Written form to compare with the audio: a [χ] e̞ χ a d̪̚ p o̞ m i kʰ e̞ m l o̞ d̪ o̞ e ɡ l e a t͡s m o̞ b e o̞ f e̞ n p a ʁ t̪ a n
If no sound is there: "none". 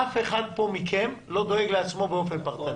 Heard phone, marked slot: f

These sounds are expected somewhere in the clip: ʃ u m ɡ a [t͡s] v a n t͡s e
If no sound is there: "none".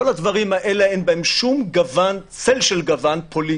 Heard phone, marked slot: none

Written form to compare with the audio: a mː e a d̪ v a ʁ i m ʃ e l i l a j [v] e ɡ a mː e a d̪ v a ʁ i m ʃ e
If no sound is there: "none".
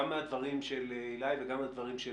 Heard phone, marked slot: v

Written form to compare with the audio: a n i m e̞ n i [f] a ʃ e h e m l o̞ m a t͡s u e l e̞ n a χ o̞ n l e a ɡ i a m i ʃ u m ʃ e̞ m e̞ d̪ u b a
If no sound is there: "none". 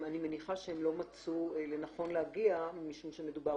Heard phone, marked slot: χ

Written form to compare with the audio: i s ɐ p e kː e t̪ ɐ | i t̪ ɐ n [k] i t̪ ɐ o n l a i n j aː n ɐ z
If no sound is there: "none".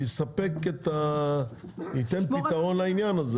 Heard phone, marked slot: p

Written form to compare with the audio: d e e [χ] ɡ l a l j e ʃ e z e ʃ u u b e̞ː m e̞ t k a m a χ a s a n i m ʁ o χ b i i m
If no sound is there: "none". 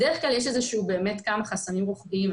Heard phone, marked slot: χ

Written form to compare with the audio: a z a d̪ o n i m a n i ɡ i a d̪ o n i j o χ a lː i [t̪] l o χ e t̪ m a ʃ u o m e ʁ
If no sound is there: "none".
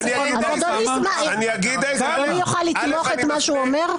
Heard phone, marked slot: t̪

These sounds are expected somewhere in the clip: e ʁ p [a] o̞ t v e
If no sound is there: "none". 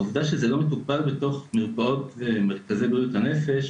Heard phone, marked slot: a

